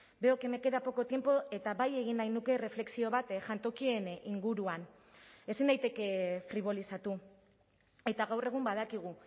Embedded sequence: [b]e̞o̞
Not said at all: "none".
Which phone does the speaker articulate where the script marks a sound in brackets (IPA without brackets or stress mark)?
b